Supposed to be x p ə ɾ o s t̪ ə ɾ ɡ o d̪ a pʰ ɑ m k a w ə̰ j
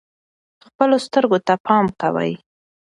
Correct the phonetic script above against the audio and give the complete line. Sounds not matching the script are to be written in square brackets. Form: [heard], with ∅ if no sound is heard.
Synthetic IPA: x p ə [l] o s t̪ ə ɾ ɡ o [t̪] a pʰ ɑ m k a w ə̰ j

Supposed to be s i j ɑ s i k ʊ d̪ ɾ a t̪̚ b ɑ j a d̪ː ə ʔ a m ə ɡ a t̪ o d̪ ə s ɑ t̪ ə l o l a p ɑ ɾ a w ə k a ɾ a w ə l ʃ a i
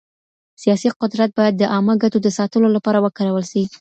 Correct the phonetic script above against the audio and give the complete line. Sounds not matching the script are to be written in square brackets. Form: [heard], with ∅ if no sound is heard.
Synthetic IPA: s i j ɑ s i [q] ʊ d̪ ɾ a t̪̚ b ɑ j a d̪ː ə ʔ [ɑ] m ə ɡ a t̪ o d̪ ə s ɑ t̪ ə l o l a p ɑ ɾ a w ə k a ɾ a w ə l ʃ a i

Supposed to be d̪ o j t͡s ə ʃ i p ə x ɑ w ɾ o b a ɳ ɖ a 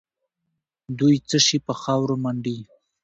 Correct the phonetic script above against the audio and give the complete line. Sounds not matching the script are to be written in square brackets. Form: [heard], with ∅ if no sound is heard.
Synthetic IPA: d̪ [u] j t͡s ə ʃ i p ə x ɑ w ɾ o [m] a ɳ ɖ [i]

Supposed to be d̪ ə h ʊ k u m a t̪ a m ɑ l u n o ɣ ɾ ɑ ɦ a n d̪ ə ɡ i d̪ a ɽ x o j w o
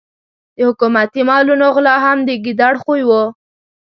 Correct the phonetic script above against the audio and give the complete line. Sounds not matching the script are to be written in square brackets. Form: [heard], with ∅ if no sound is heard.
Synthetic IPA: d̪ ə h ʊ k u m a t̪ [i] m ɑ l u n o ɣ [l] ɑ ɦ a [m] d̪ ə ɡ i d̪ a ɽ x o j w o

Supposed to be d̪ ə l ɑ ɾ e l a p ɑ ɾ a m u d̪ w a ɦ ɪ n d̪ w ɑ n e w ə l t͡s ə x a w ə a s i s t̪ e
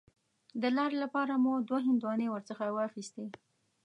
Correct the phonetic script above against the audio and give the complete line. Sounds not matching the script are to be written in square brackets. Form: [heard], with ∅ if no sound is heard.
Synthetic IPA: d̪ ə l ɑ ɾ e l a p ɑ ɾ a m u d̪ w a ɦ ɪ n d̪ w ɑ n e w ə [ɾ] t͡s ə x a w ə a [x] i s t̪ e

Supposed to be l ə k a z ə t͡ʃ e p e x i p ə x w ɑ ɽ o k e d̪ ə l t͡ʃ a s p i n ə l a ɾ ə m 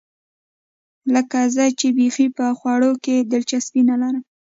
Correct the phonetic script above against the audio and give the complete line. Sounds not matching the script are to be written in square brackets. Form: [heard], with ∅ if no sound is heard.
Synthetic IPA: l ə k a z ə t͡ʃ e [b] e x i p ə x w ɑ ɽ o k e d̪ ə l t͡ʃ a s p i n [a] l a ɾ ə m

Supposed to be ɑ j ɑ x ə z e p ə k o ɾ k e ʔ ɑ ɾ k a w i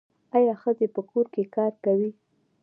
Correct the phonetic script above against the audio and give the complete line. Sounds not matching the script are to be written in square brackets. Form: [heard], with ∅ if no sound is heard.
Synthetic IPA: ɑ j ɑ x ə z e p ə k o ɾ k e [k] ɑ ɾ k a w i

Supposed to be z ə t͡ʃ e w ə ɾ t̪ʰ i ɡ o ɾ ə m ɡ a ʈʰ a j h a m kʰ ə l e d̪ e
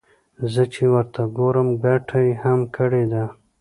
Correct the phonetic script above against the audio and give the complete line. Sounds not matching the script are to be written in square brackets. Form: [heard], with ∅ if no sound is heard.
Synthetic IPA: z ə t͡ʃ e w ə ɾ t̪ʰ [a] ɡ o ɾ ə m ɡ a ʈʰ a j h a m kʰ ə [ɽ] e d̪ [a]

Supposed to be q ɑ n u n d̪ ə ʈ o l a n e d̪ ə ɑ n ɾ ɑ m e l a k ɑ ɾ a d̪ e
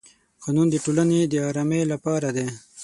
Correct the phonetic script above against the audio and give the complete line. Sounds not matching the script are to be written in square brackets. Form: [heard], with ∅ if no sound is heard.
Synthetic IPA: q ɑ n u n d̪ ə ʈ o l a n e d̪ ə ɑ [∅] ɾ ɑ m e l a [p] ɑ ɾ a d̪ e

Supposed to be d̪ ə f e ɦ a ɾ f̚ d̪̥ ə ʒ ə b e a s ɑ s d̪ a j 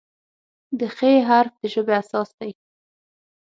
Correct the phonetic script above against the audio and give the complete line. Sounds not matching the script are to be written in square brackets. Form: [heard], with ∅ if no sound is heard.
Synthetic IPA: d̪ ə [x] e ɦ a ɾ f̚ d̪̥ ə ʒ ə b e a s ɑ s d̪ a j

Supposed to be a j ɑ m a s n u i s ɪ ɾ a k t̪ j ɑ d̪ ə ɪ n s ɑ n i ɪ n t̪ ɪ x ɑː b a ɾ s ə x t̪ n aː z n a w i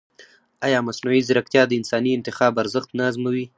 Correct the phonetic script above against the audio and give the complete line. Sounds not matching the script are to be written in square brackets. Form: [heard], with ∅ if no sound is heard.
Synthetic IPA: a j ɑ m a s n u i [z] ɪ ɾ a k t̪ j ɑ d̪ ə ɪ n s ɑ n i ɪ n t̪ ɪ x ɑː b a ɾ [z] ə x t̪ n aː z [m] a w i

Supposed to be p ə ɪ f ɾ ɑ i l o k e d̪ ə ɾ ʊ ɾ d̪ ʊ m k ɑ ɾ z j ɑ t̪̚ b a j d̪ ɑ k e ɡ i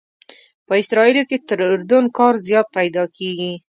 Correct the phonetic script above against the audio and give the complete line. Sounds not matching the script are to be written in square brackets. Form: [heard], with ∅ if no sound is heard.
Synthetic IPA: p ə ɪ [s] ɾ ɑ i l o k e [t̪] ə ɾ ʊ ɾ d̪ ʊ [n] k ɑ ɾ z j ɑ t̪̚ [p] a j d̪ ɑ k e ɡ i

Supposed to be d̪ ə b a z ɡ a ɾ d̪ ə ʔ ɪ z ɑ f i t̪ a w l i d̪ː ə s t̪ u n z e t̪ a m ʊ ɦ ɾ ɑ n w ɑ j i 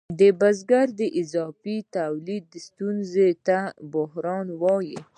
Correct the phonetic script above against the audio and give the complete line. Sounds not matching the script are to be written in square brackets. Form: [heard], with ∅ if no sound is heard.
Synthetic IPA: d̪ ə b a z ɡ a ɾ d̪ ə ʔ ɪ z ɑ f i t̪ a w l i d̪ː ə s t̪ u n z e t̪ a [b] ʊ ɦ ɾ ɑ n w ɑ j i

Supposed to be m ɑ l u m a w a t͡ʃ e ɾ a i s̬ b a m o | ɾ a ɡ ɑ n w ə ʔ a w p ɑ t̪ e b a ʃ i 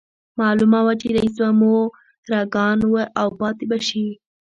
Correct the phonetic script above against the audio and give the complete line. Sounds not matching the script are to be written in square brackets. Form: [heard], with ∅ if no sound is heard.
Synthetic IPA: m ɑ l u m a w a t͡ʃ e ɾ a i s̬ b a m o | ɾ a ɡ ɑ n w ə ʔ a w p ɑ t̪ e b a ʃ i

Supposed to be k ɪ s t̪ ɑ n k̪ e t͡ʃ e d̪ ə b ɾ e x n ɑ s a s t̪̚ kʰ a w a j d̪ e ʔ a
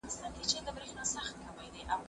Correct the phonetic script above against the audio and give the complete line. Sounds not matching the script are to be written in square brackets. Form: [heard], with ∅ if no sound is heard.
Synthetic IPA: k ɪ s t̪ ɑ n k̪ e t͡ʃ e d̪ ə b ɾ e x n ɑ s a [x] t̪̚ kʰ a w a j d̪ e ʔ a

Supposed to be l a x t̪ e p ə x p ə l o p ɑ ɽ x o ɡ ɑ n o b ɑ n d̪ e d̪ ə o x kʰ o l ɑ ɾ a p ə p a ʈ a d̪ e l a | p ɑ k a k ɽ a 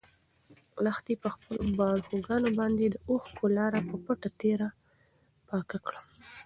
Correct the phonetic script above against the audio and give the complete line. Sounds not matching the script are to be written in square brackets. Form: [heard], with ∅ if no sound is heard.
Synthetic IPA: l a x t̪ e p ə x p ə l o [b] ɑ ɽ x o ɡ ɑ n o b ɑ n d̪ e d̪ ə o x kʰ o l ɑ ɾ a p ə p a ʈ a [t̪] e [ɾ] a | p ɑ k a k ɽ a

